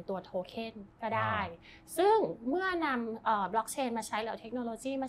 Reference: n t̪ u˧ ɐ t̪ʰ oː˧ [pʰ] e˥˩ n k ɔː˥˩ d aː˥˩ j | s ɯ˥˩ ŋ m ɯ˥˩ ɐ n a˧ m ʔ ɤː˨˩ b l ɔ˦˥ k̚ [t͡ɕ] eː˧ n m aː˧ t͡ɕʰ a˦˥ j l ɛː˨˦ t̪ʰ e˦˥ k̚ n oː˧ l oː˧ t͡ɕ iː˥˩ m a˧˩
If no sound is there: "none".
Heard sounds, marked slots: kʰ, t͡ɕʰ

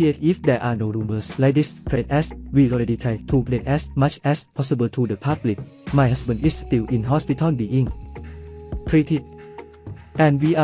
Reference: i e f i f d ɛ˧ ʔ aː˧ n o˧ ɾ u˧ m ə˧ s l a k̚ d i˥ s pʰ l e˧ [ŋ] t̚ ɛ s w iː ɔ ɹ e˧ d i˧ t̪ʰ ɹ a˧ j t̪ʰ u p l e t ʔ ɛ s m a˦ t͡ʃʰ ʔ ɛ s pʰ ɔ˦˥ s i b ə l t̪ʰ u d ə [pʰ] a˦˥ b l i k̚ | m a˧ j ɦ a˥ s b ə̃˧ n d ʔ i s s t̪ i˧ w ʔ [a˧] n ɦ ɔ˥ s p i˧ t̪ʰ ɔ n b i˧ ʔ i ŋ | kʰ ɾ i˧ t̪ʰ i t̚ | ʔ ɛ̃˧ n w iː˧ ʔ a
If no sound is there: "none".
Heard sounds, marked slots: none, pʰ, i˧

